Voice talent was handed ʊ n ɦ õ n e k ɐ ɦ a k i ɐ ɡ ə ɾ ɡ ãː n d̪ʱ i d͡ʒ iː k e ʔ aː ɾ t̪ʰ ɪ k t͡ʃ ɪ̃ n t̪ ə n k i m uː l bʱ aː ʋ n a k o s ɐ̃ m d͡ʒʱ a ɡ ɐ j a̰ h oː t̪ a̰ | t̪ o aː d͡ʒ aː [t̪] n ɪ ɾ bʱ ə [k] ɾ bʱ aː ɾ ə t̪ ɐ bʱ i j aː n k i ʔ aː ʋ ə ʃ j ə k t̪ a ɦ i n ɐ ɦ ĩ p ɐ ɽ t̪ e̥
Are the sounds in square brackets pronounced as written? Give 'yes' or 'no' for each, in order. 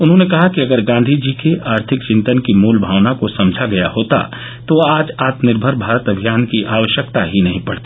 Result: yes, no

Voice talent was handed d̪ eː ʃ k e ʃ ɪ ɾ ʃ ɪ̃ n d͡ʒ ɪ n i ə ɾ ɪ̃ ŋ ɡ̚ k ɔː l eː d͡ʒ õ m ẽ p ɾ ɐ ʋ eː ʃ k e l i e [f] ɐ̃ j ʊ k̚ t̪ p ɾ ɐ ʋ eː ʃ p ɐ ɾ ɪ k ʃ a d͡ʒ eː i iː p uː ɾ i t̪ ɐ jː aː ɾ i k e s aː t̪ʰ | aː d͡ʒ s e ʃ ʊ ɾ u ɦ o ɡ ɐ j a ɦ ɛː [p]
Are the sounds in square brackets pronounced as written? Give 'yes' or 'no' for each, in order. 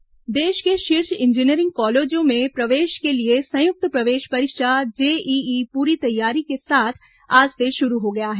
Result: no, no

